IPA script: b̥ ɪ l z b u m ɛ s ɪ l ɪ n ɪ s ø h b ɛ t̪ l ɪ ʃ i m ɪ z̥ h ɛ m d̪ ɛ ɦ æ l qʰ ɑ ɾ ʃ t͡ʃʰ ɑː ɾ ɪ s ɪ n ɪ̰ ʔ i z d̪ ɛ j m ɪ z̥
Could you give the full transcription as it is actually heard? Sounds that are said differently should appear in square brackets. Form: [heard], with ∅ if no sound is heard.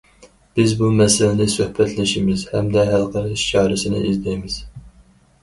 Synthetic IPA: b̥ ɪ [∅] z b u m ɛ s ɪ l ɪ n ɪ s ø h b ɛ t̪ l ɪ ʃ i m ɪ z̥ h ɛ m d̪ ɛ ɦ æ l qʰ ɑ ɾ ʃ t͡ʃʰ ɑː ɾ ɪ s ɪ n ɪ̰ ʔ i z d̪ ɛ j m ɪ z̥